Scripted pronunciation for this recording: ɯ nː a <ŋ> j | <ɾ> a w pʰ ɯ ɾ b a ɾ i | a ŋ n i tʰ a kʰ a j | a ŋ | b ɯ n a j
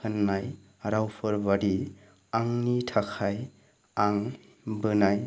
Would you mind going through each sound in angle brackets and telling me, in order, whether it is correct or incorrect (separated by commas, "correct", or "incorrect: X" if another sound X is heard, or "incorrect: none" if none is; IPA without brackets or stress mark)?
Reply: incorrect: none, correct